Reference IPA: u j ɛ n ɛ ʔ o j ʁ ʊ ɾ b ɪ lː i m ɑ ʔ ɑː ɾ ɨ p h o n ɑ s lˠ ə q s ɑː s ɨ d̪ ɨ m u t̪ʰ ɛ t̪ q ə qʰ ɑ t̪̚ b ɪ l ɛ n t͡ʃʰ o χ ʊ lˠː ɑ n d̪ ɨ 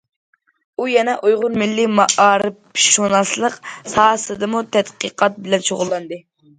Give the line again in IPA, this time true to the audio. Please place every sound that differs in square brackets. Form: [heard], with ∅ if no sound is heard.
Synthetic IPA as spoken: u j ɛ n ɛ ʔ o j ʁ ʊ ɾ [m] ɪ lː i m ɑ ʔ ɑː ɾ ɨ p [ʃ] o n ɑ s lˠ ə q s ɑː s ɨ d̪ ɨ m u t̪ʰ ɛ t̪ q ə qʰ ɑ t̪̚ b ɪ l ɛ n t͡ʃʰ o [ʁ] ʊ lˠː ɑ n d̪ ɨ